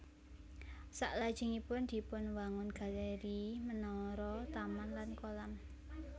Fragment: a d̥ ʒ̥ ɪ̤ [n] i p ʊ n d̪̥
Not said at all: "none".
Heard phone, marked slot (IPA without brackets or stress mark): ŋ